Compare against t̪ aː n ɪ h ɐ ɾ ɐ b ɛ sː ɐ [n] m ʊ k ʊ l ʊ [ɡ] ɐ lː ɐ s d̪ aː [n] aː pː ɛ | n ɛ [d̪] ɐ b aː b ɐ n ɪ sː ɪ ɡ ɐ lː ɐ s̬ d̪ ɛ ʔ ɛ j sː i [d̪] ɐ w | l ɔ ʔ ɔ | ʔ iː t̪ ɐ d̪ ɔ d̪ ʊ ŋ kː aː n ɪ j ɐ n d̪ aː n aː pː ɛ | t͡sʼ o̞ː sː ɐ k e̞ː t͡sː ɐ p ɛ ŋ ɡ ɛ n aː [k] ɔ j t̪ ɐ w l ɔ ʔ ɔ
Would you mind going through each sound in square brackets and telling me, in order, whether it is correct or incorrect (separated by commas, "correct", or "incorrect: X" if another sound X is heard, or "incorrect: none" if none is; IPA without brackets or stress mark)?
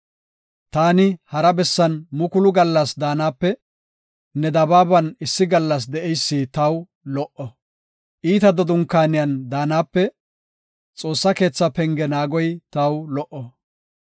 correct, correct, correct, correct, incorrect: t̪, incorrect: ɡ